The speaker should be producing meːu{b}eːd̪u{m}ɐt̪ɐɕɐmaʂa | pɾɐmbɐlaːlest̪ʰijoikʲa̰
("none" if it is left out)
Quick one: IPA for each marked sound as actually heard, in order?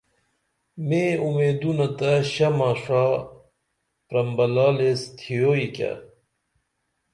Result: m, n

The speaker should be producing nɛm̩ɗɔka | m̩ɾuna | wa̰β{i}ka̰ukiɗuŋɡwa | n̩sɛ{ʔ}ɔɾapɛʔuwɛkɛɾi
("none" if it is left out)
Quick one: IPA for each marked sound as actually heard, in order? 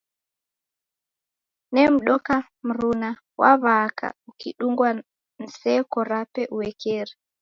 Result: a, k

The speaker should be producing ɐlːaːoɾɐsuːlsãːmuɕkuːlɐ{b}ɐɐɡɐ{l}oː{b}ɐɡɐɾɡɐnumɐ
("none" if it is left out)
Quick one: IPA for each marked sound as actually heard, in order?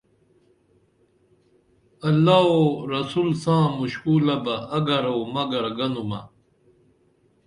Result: b, ɾ, m

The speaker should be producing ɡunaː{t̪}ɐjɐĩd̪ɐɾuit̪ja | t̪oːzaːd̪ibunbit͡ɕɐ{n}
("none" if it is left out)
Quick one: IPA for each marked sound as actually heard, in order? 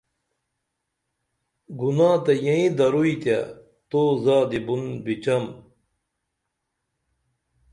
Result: t̪, m

